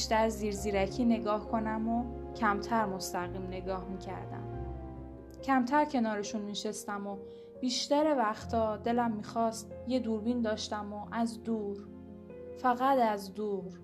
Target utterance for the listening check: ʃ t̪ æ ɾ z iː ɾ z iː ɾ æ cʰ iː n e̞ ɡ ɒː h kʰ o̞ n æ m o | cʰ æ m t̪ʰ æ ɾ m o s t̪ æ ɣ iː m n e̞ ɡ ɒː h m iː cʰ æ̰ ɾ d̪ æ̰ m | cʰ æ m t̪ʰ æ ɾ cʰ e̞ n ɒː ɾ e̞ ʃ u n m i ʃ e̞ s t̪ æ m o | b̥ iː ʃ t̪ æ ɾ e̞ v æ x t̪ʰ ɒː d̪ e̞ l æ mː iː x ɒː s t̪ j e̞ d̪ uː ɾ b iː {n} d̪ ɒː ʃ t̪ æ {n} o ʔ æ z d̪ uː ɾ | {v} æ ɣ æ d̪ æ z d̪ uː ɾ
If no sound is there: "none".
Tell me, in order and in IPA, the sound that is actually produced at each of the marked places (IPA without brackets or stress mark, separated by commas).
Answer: n, m, f